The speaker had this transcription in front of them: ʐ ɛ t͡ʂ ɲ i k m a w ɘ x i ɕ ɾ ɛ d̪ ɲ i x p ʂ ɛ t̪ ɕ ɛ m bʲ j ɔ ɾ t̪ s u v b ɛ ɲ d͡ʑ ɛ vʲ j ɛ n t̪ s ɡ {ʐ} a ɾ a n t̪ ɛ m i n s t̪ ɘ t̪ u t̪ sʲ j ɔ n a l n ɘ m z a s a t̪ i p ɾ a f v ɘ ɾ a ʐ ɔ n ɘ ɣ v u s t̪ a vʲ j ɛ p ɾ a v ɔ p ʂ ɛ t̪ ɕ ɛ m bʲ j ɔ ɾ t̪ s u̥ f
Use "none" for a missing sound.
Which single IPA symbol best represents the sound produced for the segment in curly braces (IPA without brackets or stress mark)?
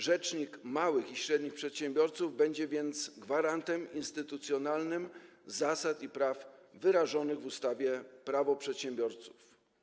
v